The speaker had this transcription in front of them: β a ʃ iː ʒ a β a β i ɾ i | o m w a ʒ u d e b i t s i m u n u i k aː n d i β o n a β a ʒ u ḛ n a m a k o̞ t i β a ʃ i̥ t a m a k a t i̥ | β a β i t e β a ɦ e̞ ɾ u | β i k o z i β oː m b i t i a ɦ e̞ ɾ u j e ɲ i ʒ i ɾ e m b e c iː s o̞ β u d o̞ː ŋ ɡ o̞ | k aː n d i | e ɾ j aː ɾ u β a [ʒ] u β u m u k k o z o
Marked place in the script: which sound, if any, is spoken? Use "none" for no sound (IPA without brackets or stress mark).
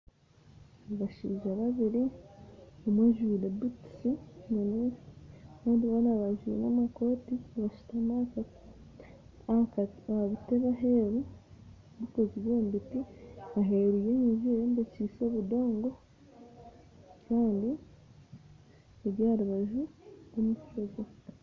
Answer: ʒ